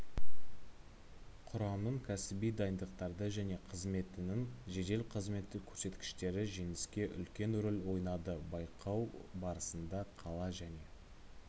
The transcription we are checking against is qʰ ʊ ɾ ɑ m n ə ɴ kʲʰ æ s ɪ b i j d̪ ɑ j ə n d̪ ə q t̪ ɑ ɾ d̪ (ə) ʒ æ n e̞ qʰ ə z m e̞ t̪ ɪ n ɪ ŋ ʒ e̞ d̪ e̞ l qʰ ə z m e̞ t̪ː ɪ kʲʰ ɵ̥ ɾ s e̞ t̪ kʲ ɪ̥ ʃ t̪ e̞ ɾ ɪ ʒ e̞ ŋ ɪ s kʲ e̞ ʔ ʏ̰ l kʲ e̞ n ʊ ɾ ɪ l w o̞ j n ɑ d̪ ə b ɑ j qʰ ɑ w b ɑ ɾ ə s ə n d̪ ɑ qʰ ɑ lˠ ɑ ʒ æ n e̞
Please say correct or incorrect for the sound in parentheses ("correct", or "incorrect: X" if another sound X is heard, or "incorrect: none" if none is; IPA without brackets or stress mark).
correct